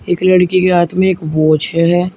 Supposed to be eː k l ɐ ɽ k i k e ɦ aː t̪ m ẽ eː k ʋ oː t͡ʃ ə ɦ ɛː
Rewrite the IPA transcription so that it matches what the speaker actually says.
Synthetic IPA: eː k l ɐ ɽ k i k e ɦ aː t̪ m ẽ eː k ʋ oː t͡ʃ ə ɦ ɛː